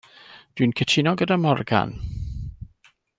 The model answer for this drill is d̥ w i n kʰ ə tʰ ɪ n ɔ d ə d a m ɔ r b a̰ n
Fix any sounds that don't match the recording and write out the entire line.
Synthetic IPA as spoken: d̥ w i n kʰ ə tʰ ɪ n ɔ ɡ ə d a m ɔ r ɡ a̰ n